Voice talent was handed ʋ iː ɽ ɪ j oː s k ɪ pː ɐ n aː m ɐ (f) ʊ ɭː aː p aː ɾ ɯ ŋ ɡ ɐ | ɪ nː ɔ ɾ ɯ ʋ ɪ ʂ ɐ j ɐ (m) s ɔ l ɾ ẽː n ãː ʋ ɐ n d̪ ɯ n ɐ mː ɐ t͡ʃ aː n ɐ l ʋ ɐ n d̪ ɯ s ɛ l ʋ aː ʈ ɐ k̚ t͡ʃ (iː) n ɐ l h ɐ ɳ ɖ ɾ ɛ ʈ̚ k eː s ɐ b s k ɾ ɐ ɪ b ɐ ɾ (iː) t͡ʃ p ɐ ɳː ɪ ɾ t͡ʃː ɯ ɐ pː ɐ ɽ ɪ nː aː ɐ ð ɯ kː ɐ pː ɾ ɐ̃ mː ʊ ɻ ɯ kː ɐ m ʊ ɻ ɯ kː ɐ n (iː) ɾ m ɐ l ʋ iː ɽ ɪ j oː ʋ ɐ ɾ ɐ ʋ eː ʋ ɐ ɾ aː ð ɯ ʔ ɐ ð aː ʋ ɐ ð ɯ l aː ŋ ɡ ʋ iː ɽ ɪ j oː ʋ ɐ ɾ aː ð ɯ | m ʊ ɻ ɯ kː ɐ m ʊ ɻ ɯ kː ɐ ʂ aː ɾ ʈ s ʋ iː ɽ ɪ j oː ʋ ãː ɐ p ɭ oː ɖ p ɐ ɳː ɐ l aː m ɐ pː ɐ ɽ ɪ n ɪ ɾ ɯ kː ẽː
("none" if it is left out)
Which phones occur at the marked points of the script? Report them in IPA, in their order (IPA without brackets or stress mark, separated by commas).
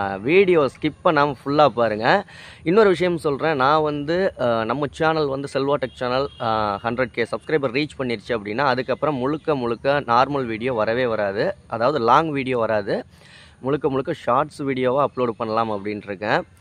f, m, aː, iː, aː